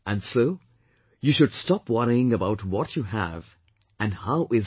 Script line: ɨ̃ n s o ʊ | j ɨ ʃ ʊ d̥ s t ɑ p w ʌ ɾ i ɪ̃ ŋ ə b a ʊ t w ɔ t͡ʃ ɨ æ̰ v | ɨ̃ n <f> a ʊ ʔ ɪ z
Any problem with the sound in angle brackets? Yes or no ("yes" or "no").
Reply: yes